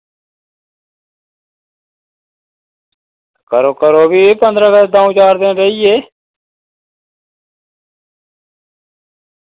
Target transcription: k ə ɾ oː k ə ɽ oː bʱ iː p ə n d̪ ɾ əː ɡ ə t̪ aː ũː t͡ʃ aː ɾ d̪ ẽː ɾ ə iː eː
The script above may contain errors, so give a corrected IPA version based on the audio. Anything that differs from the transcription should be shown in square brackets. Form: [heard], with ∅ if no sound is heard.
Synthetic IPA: k ə ɾ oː k ə [ɾ] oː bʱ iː p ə n d̪ ɾ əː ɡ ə [d̪] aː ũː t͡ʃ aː ɾ d̪ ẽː ɾ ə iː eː